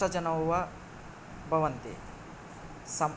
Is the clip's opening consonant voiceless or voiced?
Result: voiced